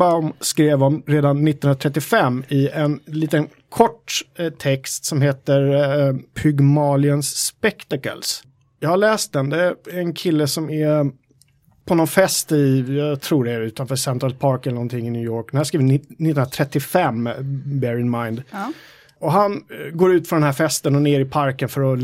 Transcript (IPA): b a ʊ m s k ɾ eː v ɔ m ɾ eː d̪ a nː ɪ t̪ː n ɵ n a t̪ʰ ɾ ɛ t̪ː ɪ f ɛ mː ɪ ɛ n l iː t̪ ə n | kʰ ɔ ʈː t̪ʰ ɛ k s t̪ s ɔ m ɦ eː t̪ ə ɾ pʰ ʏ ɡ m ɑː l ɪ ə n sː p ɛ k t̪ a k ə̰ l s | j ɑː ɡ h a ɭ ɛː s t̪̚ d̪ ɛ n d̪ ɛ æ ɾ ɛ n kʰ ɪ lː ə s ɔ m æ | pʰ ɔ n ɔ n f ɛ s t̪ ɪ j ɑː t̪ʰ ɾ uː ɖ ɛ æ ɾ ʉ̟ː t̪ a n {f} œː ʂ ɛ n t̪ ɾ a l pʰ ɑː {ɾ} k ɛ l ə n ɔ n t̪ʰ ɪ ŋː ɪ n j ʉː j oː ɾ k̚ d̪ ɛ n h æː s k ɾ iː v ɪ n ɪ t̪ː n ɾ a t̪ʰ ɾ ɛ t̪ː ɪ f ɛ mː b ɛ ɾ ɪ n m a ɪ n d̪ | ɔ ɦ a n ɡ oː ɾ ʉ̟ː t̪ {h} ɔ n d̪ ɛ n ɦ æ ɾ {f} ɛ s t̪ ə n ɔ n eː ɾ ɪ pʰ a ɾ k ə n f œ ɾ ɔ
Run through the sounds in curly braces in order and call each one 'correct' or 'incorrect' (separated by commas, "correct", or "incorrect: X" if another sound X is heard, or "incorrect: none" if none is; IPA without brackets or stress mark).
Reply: correct, correct, incorrect: f, correct